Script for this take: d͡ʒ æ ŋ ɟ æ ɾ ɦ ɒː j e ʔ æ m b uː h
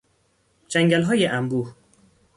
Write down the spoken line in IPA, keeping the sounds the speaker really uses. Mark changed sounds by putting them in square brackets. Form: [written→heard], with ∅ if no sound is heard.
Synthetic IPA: d͡ʒ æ ŋ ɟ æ [ɾ→l] ɦ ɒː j e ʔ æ m b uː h